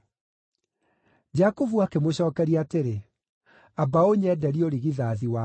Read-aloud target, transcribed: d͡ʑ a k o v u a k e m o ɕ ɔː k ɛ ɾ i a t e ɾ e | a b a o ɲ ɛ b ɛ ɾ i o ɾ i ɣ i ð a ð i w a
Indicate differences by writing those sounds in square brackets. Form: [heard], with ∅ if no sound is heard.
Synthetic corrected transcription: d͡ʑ a k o v u a k e m o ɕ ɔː k ɛ ɾ i a t e ɾ e | a b a o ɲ ɛ [d] ɛ ɾ i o ɾ i ɣ i ð a ð i w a